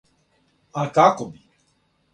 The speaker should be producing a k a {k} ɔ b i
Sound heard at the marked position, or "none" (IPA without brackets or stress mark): k